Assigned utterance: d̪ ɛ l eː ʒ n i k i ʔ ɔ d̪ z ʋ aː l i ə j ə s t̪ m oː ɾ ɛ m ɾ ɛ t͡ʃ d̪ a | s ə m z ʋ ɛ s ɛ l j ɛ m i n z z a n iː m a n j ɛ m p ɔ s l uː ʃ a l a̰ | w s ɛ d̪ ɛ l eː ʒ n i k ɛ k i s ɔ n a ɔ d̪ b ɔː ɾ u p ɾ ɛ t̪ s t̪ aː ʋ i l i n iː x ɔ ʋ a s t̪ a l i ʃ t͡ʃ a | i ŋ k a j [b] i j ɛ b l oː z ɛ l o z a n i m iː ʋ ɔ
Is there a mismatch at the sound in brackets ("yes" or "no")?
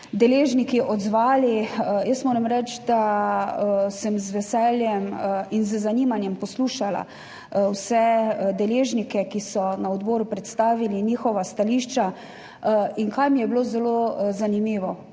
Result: yes